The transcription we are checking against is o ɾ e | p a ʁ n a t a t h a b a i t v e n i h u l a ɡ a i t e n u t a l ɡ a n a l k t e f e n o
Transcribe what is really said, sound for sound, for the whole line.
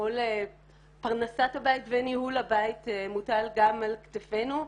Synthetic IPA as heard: o l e | p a ʁ n a s a t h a b a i t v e n i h u l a b a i t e m u t a l ɡ a m a l k t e f e n u